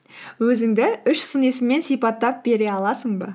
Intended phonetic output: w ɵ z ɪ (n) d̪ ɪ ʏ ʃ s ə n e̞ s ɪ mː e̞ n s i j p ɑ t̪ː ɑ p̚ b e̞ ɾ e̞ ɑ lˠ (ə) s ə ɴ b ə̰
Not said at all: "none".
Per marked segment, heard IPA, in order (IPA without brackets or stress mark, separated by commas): ŋ, ɑ